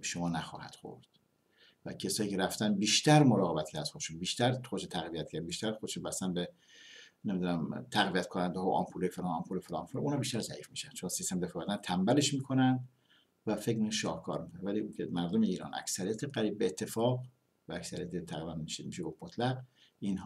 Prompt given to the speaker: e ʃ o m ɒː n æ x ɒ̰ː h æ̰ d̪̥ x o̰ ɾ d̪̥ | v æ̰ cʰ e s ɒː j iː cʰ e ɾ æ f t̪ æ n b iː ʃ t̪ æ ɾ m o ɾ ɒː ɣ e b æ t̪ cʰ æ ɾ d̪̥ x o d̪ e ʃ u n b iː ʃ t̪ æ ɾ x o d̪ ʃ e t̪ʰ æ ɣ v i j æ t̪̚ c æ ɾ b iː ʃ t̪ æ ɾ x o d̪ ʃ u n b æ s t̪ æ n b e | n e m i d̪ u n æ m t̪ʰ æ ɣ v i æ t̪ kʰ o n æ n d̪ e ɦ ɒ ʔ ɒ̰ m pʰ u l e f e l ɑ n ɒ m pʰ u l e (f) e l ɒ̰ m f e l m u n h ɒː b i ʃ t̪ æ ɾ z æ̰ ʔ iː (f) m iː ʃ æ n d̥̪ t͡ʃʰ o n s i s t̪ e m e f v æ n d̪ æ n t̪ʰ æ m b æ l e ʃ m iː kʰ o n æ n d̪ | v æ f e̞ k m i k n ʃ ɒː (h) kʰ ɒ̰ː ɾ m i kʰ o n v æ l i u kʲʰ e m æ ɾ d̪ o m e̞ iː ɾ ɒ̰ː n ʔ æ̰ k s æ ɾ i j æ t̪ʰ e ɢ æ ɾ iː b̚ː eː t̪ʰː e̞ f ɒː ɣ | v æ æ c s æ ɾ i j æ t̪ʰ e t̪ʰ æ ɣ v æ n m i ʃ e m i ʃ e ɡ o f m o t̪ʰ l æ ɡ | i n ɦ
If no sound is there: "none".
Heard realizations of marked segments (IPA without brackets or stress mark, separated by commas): f, f, h